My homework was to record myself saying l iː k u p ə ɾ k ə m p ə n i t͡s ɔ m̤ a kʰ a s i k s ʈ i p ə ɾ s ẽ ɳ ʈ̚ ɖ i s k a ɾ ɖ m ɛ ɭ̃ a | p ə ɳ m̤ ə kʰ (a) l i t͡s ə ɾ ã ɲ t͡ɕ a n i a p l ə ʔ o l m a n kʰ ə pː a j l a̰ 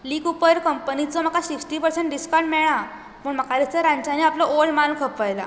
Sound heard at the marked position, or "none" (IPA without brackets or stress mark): a